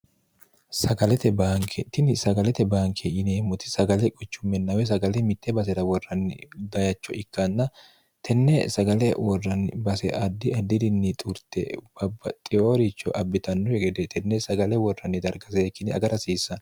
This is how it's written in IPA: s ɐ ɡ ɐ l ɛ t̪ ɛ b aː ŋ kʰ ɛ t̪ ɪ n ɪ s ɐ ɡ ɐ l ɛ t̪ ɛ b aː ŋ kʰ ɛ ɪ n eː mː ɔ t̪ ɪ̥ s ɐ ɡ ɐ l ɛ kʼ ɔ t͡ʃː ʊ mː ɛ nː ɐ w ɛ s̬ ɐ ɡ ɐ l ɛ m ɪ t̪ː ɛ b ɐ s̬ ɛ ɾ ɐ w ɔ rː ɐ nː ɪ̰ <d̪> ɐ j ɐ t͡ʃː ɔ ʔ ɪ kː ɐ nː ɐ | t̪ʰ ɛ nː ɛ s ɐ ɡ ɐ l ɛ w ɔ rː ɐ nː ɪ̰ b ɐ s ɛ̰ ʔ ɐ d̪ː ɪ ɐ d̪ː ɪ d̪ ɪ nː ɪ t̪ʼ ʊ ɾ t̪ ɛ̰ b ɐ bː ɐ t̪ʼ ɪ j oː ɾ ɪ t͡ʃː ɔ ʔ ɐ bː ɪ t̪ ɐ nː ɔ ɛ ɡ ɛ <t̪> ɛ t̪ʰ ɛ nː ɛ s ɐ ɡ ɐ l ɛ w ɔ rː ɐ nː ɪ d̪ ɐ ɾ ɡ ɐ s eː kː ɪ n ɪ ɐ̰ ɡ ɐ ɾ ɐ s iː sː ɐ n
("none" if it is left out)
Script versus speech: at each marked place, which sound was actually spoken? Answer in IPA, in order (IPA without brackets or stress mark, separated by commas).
d̪, d̪